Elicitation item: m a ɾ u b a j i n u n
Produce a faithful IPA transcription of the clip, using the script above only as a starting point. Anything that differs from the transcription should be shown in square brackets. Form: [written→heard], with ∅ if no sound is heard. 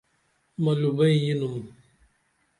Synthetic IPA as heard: m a [ɾ→l] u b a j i n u [n→m]